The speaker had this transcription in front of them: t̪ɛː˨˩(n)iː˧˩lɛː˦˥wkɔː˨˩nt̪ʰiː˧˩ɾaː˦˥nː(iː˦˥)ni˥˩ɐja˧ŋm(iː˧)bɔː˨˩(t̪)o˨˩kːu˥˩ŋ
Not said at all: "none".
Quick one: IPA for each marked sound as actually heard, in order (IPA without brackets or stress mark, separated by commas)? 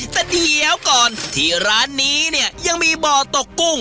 d, iː˦˥, iː˧, t̪